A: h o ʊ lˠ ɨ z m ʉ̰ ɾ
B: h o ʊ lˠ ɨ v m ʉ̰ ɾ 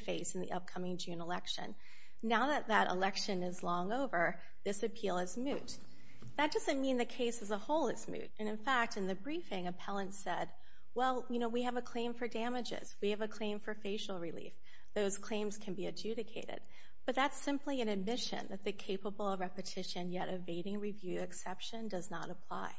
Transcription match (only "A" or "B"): A